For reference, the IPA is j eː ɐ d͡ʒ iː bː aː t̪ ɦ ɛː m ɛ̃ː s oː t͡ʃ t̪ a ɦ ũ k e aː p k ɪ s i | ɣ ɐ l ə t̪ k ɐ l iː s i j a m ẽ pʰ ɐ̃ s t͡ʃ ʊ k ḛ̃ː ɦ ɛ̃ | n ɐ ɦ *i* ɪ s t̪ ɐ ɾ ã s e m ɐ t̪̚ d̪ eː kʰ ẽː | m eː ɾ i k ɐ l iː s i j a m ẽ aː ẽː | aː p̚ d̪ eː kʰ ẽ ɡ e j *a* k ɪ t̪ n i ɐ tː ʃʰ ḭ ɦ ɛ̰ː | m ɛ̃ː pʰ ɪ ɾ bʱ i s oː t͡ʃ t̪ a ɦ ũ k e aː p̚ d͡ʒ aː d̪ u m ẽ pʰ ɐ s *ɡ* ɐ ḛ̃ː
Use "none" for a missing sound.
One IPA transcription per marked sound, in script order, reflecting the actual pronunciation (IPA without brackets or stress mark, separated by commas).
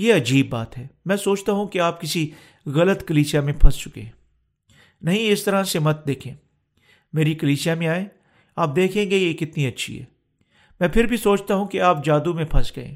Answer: ĩ, e, ɡ